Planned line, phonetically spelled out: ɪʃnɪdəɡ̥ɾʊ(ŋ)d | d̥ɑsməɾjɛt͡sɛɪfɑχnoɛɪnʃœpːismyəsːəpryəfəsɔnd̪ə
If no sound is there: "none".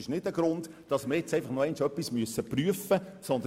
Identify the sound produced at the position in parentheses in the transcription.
n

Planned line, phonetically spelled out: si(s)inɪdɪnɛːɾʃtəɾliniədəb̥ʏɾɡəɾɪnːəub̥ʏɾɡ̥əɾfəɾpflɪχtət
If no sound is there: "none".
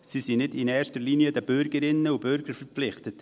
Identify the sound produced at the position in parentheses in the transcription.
s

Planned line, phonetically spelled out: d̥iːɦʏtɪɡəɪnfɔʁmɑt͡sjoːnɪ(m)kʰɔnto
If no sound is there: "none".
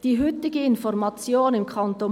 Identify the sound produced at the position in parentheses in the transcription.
m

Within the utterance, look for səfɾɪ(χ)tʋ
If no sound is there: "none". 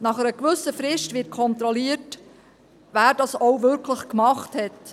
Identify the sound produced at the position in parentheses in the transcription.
ʃ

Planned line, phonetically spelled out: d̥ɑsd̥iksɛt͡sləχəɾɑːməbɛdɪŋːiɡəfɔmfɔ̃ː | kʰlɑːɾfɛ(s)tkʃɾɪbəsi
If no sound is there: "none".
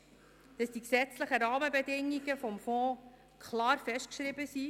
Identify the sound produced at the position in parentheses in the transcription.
ʃ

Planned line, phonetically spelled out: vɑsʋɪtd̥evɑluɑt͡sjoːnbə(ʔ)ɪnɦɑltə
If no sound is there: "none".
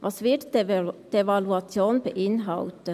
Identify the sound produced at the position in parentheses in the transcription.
ʔ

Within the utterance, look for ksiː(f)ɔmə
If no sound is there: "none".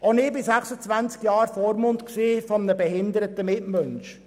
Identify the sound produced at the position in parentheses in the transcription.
f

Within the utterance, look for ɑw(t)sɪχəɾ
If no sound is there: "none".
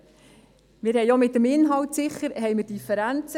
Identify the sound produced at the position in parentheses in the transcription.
t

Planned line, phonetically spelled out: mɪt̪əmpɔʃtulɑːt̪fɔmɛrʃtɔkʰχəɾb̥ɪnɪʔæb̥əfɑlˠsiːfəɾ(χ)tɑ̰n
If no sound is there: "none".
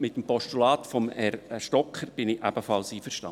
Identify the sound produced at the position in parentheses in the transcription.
ʃ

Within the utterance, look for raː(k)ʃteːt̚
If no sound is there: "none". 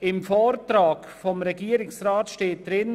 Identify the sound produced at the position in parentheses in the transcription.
t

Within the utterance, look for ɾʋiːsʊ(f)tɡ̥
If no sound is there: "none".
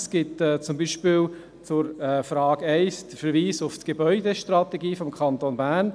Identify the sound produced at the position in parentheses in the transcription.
f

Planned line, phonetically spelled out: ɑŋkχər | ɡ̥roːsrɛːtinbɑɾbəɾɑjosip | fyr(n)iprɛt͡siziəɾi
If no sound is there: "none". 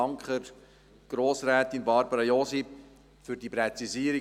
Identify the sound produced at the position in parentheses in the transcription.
d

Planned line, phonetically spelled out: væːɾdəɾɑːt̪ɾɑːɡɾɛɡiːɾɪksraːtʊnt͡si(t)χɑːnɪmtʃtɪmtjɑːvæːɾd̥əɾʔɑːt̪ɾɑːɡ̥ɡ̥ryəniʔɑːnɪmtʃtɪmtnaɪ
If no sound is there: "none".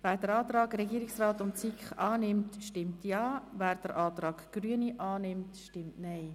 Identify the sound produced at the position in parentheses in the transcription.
k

